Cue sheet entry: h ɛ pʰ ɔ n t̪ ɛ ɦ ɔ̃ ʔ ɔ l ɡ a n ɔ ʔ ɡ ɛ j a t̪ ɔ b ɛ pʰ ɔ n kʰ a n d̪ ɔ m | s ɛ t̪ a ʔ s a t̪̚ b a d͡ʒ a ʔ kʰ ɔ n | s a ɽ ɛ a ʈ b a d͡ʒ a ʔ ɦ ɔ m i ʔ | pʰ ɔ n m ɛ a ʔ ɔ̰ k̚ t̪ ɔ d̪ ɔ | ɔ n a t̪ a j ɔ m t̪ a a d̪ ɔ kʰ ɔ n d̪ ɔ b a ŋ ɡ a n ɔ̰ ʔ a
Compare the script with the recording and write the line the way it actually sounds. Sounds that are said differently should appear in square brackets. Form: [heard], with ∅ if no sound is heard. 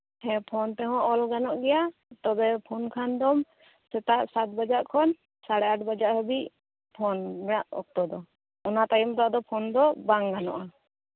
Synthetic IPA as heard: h ɛ pʰ ɔ n t̪ ɛ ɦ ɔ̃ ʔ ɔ l ɡ a n ɔ ʔ ɡ ɛ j a t̪ ɔ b ɛ pʰ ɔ n kʰ a n d̪ ɔ m | s ɛ t̪ a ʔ s a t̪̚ b a d͡ʒ a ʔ kʰ ɔ n | s a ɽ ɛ a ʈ b a d͡ʒ a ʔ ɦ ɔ [b] i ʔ | pʰ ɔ n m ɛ a ʔ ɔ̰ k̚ t̪ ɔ d̪ ɔ | ɔ n a t̪ a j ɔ m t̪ a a d̪ ɔ [pʰ] ɔ n d̪ ɔ b a ŋ ɡ a n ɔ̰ ʔ a